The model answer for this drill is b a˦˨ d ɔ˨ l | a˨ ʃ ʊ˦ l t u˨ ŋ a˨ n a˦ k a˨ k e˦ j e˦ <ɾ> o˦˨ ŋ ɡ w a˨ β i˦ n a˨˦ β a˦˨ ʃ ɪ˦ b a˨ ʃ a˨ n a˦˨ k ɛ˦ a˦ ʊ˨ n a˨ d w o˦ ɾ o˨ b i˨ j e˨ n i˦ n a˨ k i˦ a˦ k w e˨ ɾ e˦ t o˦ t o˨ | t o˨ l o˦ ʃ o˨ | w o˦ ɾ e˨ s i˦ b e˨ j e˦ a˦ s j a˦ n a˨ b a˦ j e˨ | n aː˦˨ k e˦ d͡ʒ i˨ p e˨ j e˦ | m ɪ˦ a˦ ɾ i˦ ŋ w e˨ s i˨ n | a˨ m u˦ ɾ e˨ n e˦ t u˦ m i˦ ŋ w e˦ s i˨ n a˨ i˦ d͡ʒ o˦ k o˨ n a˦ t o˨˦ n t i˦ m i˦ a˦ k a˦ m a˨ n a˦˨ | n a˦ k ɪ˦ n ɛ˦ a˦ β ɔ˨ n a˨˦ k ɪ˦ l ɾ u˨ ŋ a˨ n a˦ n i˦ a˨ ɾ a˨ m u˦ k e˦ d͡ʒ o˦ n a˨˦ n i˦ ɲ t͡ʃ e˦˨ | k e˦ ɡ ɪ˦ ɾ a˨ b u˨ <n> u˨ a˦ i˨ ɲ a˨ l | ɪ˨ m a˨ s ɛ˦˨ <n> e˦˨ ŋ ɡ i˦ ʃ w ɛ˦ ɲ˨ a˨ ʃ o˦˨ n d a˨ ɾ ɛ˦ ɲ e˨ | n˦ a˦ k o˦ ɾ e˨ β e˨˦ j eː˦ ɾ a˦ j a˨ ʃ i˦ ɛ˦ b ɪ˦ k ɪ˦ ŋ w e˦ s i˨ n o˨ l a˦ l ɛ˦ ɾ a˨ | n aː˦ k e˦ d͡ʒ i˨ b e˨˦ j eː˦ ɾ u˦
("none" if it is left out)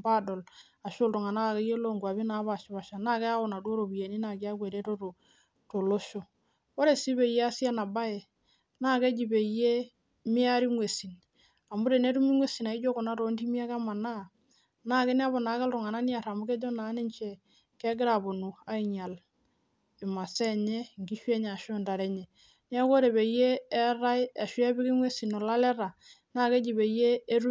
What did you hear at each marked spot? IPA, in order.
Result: l, n, ɲ

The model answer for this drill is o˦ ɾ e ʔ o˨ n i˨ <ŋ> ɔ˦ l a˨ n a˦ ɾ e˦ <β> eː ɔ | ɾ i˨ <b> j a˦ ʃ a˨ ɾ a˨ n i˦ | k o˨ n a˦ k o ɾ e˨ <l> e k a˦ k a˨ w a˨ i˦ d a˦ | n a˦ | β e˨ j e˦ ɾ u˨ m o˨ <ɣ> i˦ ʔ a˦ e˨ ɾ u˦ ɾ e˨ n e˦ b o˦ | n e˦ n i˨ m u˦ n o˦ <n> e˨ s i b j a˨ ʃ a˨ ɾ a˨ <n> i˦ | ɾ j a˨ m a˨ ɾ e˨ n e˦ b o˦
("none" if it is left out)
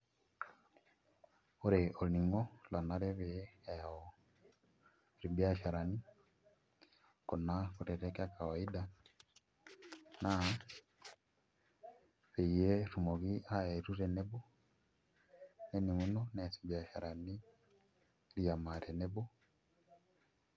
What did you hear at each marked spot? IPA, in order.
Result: ŋ, β, b, ɾ, ɣ, n, n

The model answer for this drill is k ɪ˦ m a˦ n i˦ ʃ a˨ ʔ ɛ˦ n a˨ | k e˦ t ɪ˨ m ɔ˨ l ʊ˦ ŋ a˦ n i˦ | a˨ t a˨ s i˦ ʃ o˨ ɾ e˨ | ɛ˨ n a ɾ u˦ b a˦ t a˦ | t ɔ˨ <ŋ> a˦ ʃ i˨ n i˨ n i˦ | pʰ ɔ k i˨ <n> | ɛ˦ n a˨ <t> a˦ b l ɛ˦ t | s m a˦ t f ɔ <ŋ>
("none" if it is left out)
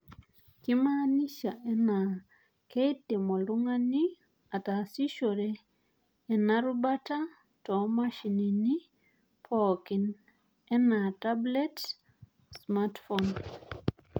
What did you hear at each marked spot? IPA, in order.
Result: m, n, t, n

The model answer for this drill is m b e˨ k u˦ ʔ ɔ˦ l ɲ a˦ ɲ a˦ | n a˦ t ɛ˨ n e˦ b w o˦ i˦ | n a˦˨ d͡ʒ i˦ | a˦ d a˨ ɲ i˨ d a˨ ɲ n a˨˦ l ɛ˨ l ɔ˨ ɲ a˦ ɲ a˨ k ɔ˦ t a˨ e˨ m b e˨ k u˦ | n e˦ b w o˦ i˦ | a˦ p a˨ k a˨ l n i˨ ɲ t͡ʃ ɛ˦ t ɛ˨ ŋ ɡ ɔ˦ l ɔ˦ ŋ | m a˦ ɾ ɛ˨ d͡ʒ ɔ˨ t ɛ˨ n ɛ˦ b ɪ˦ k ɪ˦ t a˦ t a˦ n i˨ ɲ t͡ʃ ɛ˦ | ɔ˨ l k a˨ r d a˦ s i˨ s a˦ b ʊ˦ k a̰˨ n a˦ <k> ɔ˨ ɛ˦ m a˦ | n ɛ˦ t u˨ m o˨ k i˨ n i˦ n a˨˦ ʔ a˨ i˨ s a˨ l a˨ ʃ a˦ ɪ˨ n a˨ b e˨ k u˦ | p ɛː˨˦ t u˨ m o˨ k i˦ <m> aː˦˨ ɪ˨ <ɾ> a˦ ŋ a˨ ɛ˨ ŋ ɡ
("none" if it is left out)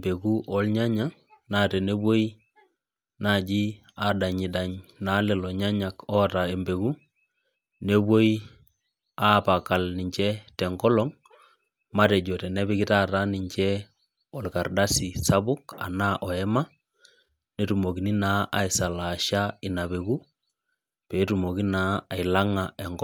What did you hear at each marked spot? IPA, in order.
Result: ʔ, n, l

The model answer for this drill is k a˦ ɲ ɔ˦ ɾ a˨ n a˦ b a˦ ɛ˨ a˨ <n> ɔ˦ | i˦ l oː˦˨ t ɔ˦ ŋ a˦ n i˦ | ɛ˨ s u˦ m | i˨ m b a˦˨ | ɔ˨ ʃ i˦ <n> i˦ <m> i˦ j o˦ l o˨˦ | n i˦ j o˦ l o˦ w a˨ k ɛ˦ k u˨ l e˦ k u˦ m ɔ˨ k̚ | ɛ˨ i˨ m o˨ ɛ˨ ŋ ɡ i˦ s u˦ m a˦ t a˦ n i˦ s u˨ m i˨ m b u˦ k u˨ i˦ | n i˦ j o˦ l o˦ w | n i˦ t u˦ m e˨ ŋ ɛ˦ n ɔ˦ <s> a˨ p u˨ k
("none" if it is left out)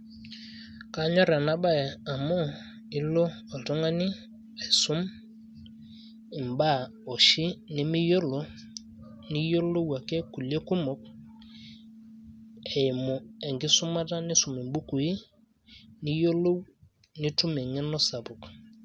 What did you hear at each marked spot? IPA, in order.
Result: m, n, m, s

